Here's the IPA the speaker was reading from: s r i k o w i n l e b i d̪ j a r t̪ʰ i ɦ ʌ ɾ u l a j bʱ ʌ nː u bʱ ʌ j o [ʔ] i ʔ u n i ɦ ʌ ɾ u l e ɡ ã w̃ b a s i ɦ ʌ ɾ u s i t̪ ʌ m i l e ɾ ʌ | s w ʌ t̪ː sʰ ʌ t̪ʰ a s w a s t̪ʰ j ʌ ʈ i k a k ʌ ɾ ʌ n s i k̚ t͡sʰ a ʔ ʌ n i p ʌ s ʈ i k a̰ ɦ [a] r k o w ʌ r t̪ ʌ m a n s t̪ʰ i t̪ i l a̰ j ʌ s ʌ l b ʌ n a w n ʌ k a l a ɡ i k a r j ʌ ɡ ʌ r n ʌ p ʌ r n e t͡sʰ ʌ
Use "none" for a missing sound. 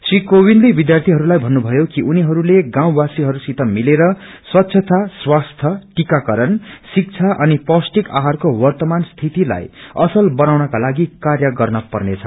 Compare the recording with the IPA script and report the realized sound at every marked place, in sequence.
k, a

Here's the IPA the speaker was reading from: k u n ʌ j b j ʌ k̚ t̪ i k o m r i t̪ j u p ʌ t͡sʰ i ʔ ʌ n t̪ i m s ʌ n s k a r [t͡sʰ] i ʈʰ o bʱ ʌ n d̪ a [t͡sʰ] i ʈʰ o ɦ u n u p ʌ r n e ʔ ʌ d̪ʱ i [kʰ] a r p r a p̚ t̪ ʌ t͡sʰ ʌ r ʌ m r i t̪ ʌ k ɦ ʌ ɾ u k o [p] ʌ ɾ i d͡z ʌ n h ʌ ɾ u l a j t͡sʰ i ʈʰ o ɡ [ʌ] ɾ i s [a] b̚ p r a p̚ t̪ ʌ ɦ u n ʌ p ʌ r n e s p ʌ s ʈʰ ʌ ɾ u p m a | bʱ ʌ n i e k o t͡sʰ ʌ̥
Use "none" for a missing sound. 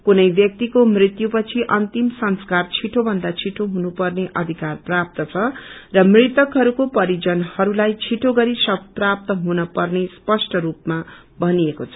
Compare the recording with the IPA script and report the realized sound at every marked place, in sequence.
t͡sʰ, t͡sʰ, k, p, ʌ, ʌ

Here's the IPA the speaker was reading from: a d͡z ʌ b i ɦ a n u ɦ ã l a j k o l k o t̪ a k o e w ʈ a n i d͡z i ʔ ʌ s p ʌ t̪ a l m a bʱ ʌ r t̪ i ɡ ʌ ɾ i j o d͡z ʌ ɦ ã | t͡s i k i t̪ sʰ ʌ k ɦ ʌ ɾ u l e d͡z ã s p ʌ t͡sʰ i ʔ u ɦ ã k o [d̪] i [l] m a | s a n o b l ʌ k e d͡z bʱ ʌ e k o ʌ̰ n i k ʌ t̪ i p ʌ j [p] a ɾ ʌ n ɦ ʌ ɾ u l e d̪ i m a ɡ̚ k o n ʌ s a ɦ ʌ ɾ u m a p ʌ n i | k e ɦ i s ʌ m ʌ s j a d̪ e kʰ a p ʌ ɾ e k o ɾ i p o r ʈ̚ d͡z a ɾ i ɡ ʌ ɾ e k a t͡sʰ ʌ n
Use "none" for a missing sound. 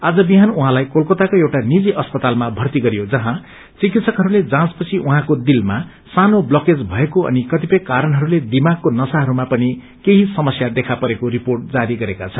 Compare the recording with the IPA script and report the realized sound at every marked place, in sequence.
d̪, l, k

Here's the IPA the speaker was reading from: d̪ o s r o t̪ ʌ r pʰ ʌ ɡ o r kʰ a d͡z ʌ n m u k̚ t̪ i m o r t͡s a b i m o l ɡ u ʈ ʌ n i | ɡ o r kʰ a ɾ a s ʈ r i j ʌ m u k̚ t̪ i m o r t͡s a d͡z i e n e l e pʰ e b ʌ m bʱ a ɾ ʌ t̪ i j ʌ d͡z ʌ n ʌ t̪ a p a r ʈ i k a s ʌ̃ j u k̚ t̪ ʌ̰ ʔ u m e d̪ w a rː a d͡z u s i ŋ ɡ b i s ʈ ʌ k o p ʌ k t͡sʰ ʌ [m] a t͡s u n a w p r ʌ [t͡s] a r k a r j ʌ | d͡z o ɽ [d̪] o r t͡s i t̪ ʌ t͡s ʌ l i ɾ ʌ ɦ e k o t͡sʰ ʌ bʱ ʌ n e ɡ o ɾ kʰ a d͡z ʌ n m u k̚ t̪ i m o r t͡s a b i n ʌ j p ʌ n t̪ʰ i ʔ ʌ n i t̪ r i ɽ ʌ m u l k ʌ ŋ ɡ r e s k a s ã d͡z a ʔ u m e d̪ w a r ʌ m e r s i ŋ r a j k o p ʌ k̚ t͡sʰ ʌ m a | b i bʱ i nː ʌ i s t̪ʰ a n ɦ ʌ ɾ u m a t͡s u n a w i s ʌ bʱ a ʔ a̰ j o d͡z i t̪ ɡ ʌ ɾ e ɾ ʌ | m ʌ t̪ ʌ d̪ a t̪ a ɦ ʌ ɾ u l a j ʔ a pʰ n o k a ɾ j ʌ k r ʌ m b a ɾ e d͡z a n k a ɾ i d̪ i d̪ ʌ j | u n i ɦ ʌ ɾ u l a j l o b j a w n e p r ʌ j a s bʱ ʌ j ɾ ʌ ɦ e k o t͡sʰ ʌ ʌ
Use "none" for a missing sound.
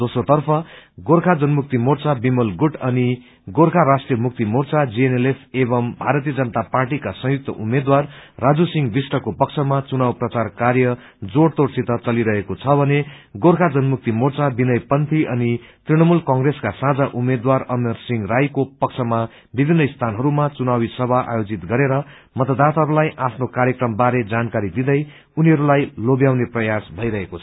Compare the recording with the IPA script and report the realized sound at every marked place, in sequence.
m, t͡s, t̪

